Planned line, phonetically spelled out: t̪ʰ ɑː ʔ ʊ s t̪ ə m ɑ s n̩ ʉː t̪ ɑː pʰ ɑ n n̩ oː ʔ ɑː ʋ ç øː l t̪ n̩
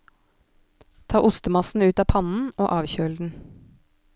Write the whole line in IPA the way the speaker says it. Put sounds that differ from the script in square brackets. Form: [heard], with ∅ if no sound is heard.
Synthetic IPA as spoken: t̪ʰ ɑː ʔ ʊ s t̪ ə m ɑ s n̩ ʉː t̪ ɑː pʰ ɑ n n̩ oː ʔ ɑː ʋ ç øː l [d̪] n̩